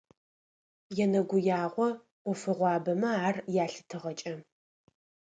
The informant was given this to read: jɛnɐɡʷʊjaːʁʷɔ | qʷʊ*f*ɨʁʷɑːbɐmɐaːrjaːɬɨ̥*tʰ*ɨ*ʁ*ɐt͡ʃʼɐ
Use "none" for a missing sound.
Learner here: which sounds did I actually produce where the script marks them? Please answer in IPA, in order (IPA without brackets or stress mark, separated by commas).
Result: f, tʰ, ʁ